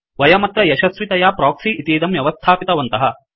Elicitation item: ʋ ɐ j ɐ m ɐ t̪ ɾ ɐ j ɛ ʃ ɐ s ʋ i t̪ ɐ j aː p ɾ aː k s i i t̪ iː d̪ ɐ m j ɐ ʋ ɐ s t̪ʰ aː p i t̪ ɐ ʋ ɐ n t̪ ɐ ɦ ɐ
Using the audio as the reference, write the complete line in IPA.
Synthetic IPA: ʋ ɐ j ɐ m ɐ t̪ ɾ ɐ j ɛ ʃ ɐ s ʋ i t̪ ɐ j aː p ɾ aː k s i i t̪ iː d̪ ɐ m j ɐ ʋ ɐ s t̪ʰ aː p i t̪ ɐ ʋ ɐ n t̪ ɐ ɦ ɐ